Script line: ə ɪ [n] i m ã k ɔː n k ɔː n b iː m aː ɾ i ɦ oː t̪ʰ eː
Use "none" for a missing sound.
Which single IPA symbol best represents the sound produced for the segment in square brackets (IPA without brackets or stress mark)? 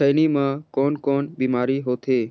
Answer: n